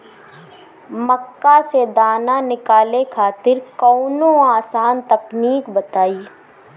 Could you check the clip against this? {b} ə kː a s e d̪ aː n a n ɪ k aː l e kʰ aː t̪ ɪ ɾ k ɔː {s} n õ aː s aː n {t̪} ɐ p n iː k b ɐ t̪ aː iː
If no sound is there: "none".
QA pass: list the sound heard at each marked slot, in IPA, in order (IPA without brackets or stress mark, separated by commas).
m, none, t̪